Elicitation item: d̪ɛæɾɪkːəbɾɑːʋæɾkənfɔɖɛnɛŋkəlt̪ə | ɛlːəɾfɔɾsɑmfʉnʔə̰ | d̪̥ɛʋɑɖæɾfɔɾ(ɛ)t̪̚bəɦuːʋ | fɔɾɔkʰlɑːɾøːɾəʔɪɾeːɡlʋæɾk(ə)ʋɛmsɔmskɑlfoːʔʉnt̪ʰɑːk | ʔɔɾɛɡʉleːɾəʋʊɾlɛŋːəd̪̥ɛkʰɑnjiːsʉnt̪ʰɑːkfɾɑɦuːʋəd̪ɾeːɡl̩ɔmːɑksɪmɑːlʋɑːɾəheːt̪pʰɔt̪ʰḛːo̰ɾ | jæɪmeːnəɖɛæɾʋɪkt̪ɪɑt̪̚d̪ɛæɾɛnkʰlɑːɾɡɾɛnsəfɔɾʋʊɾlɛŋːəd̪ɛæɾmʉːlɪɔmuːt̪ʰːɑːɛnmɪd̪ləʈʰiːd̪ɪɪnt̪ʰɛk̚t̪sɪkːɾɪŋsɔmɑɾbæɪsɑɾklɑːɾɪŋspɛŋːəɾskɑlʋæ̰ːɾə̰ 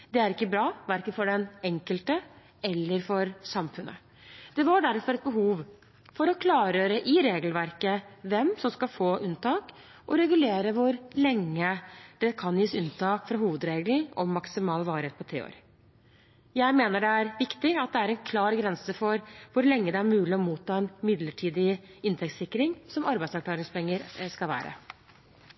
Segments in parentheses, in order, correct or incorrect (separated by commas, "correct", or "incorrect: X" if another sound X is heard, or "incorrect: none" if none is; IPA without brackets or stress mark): correct, correct